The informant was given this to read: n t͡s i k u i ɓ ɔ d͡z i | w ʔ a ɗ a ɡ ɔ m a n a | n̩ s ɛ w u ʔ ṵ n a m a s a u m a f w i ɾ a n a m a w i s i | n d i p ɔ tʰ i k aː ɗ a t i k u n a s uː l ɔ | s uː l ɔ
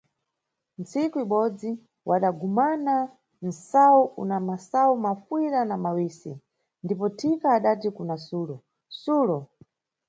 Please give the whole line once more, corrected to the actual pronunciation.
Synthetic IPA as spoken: n t͡s i k u i ɓ ɔ d͡z i | w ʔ a ɗ a ɡ u m a n a | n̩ s a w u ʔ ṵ n a m a s a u m a f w i ɾ a n a m a w i s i | n d i p ɔ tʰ i k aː ɗ a t i k u n a s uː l ɔ | s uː l ɔ